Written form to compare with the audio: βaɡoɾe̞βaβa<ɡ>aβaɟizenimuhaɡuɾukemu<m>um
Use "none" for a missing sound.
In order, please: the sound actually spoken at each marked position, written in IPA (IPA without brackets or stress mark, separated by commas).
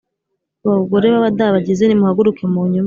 d, ɲ